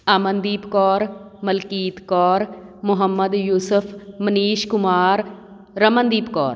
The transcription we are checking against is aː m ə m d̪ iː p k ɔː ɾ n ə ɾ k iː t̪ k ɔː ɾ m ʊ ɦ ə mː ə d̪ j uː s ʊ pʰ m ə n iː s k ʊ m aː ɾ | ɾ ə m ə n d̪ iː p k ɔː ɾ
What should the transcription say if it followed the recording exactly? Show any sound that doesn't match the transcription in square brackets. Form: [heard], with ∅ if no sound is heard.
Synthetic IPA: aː m ə [n] d̪ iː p k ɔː ɾ [m] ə [l] k iː t̪ k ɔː ɾ m ʊ ɦ ə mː ə d̪ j uː s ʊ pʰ m ə n iː [ʃ] k ʊ m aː ɾ | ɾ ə m ə n d̪ iː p k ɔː ɾ